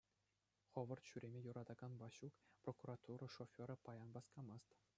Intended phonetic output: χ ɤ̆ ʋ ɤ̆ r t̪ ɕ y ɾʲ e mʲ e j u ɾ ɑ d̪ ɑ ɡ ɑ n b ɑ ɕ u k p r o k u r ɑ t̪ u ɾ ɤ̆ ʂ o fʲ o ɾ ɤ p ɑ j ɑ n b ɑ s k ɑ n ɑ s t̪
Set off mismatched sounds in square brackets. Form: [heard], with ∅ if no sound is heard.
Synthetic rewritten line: χ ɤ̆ ʋ ɤ̆ r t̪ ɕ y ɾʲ e mʲ e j u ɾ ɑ d̪ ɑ ɡ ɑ n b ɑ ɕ u k p r o k u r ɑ t̪ u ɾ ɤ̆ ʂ o fʲ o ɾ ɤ p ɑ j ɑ n b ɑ s k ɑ [m] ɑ s t̪